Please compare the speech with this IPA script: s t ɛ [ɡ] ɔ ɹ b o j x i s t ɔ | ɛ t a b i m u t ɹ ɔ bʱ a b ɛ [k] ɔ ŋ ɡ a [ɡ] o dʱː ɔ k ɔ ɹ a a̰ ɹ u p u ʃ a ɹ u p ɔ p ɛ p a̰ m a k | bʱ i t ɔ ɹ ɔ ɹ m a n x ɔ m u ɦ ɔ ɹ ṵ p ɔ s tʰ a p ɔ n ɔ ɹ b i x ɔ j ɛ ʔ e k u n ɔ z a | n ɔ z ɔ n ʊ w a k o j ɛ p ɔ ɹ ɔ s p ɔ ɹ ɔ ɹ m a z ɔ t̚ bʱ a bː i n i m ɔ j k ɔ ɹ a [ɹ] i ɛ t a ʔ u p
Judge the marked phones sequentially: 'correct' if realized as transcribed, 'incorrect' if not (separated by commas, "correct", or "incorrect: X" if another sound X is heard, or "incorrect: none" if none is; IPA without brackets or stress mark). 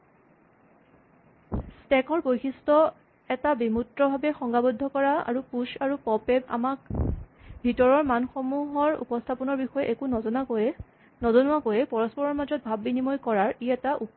incorrect: k, incorrect: x, incorrect: b, correct